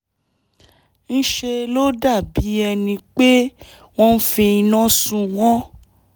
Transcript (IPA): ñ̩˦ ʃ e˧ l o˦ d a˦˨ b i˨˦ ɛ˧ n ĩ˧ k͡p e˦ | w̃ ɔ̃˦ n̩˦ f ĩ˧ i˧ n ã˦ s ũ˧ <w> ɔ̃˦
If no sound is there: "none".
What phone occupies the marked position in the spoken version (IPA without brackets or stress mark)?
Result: w